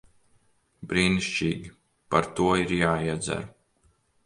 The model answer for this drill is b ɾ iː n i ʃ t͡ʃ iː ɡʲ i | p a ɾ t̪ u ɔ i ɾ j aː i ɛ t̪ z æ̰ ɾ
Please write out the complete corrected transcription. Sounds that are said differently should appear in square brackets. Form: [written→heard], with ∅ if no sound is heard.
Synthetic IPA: b ɾ iː n i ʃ t͡ʃ iː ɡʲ i | p a ɾ t̪ u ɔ i ɾ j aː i ɛ [t̪→d̪] z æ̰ ɾ